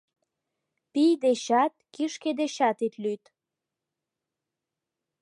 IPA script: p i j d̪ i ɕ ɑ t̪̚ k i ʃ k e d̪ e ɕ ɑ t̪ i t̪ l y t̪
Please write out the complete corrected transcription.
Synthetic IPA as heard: p i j d̪ e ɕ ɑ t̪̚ k i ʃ k e d̪ e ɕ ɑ t̪ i t̪ l y t̪